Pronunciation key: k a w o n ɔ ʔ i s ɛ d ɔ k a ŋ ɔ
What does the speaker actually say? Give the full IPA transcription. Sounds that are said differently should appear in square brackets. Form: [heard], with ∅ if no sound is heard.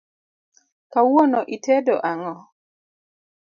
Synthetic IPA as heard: k a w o n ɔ ʔ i [t] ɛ d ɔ [ʔ] a ŋ ɔ